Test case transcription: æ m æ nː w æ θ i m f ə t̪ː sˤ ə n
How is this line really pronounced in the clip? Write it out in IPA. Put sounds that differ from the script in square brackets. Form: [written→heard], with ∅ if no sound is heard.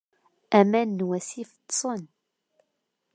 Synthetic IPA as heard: æ m æ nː w æ [θ→s] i [m→∅] f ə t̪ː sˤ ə n

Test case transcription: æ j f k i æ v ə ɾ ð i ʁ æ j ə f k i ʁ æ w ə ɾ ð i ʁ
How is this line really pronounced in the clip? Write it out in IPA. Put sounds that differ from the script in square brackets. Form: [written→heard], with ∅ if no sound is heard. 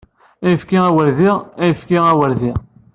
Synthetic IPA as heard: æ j f k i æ [v→w] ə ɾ ð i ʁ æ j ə f k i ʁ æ w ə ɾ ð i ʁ

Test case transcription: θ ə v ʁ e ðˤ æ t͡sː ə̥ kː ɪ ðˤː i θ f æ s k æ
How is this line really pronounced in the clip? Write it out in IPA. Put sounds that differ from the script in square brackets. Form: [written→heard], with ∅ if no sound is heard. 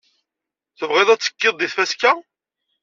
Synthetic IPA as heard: θ ə v ʁ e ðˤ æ t͡sː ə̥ kː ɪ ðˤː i θ f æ s k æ

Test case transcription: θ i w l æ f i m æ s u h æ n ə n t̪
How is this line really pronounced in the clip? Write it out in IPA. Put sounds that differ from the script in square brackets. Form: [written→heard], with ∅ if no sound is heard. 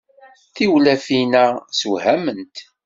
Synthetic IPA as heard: θ i w l æ f i [m→n] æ s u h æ [n→m] ə n t̪

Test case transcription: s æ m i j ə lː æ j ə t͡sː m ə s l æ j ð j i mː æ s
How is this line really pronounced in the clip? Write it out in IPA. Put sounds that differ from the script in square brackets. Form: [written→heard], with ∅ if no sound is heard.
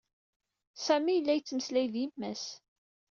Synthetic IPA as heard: s æ m i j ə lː æ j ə t͡sː m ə s l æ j ð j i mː æ s

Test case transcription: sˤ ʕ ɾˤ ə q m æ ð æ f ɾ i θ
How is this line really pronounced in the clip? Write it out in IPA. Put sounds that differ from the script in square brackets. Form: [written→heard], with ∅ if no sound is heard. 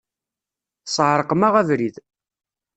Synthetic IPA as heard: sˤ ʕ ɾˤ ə q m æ [ð→ʁ] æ [f→v] ɾ i [θ→ð]

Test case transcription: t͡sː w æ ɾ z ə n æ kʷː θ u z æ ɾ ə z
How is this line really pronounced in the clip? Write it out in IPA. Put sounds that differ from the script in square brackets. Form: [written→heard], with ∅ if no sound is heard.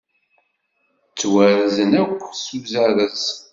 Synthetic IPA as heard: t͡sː w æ ɾ z ə n æ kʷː [θ→s] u z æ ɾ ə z

